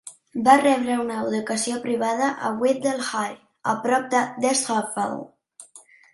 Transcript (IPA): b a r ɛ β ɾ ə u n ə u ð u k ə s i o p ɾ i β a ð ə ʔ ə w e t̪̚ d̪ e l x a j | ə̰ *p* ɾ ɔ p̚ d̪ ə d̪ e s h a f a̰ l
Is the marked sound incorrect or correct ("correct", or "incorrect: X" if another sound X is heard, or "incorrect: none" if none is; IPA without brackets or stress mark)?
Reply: correct